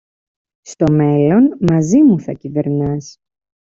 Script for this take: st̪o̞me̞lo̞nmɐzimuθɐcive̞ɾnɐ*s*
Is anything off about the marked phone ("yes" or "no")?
no